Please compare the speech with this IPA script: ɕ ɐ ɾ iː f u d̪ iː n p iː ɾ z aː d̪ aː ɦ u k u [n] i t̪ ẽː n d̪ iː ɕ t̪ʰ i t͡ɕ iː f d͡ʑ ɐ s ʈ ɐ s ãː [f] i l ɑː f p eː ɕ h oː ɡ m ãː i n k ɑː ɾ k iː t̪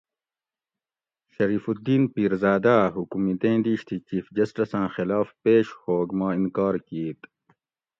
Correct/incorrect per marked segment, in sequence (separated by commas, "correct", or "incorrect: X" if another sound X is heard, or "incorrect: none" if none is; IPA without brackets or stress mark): incorrect: m, incorrect: x